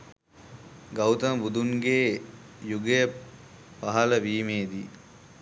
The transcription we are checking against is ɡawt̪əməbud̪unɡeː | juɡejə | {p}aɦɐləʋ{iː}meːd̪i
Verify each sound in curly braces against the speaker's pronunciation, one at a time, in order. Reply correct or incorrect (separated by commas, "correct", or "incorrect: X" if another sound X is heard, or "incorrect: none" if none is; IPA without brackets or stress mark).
correct, correct